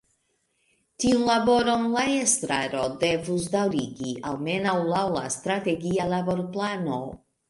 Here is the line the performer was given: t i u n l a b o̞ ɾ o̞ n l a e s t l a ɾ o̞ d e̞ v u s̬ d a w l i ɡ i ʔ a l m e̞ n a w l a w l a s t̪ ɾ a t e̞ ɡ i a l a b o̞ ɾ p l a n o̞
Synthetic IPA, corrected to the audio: t i u n l a b o̞ ɾ o̞ n l a e s t ɾ a ɾ o̞ d e̞ v u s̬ d a w ɾ i ɡ i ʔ a l m e̞ n a w l a w l a s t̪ ɾ a t e̞ ɡ i a l a b o̞ ɾ p l a n o̞